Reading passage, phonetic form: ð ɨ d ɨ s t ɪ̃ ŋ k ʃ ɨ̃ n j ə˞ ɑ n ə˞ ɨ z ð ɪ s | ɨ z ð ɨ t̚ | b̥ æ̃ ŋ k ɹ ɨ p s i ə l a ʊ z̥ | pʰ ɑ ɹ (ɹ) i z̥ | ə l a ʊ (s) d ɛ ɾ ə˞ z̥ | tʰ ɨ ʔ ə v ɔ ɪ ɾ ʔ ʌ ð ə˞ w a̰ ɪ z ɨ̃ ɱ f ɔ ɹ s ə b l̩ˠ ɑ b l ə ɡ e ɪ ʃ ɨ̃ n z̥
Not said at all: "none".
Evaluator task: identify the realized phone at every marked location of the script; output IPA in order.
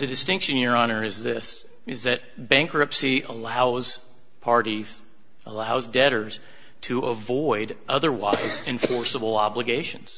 ɾ, z

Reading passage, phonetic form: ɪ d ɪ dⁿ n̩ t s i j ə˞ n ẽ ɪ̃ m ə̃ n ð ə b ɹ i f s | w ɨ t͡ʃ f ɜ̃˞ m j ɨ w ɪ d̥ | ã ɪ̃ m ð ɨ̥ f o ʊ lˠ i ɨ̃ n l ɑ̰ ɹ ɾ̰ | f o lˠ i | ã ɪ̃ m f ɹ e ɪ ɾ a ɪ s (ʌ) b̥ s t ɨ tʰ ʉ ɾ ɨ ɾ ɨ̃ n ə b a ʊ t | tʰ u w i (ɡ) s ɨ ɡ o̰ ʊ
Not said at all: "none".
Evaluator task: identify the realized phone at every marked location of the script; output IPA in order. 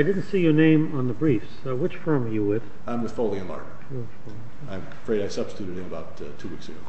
ʌ, k

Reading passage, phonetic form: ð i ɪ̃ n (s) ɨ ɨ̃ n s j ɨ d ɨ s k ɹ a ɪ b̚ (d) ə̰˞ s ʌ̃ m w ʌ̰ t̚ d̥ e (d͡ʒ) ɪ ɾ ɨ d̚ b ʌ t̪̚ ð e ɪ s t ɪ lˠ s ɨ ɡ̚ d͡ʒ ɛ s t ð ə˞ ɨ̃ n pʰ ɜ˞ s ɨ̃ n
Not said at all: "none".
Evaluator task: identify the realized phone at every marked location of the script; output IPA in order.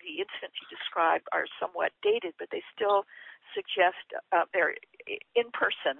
s, d, none

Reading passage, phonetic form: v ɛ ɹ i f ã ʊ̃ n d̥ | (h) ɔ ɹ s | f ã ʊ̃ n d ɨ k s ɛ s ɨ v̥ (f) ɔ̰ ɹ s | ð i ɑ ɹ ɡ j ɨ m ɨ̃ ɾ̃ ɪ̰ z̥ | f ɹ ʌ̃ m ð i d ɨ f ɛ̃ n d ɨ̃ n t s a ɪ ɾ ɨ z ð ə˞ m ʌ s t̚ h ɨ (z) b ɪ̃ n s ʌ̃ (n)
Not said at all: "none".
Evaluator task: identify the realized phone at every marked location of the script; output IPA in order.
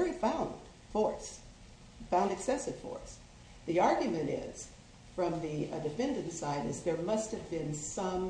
f, f, v, m

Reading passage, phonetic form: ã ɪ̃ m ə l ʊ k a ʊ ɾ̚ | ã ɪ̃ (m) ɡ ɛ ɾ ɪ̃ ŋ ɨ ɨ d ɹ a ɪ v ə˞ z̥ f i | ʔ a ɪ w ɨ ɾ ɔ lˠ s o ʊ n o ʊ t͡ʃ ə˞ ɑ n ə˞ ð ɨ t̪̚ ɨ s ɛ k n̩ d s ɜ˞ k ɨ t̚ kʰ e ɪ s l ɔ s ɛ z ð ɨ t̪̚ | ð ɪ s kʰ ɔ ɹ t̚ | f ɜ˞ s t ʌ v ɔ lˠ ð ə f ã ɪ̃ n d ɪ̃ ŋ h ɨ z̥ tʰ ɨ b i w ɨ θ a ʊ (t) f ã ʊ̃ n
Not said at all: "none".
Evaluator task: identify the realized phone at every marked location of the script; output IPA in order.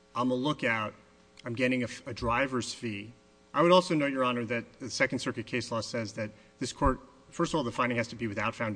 m, t

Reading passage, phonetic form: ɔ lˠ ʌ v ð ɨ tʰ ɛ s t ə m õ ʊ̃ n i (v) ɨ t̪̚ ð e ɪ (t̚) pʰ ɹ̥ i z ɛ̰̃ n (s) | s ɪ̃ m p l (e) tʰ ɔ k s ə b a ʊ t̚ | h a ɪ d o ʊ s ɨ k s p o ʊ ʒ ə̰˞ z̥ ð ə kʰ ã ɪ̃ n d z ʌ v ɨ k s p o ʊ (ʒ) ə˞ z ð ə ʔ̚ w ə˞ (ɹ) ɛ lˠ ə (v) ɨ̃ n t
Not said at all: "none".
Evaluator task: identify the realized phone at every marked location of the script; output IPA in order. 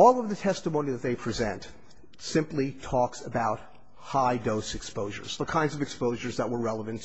ð, none, t, i, ʒ, ɹ, v

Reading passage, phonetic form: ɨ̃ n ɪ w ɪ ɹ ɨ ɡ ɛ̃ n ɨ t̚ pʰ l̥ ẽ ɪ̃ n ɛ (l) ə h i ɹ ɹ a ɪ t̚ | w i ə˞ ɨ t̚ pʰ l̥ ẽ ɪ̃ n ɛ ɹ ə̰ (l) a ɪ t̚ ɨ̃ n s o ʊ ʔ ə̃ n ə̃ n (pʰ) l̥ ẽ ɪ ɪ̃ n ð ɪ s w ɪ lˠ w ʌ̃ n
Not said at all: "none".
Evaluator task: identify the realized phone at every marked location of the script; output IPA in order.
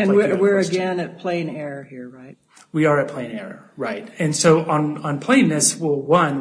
ɹ, ɹ, pʰ

